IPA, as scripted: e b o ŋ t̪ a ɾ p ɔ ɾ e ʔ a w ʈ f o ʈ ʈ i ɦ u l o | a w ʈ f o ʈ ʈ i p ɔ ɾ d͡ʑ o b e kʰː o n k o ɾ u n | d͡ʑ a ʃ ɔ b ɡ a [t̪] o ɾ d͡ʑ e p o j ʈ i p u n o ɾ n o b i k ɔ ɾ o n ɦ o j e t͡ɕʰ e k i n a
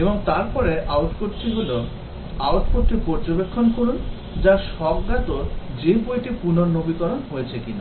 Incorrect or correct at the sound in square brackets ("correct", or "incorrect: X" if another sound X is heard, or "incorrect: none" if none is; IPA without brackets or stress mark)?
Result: correct